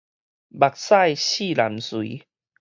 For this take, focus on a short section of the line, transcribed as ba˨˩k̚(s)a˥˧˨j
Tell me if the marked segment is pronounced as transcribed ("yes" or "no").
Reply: yes